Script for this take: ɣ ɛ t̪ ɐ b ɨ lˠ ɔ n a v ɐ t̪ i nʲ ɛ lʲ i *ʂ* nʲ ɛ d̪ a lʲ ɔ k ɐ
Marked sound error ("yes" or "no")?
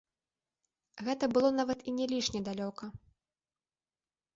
no